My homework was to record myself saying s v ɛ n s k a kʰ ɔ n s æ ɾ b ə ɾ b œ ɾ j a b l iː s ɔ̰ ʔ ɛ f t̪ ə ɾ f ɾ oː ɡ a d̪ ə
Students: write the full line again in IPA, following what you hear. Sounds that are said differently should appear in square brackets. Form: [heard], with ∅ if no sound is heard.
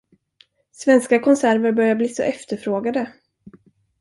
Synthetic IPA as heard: s v ɛ n s k a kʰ ɔ n s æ ɾ [v] ə ɾ b œ ɾ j a b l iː s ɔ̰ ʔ ɛ f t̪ ə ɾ f ɾ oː ɡ a d̪ ə